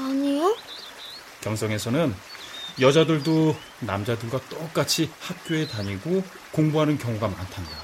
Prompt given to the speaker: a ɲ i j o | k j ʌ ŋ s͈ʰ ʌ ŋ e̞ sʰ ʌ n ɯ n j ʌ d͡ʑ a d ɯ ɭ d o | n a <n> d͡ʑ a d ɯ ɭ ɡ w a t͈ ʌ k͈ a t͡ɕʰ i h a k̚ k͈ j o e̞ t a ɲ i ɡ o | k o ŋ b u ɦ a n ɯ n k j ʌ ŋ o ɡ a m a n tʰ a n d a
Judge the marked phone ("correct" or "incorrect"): incorrect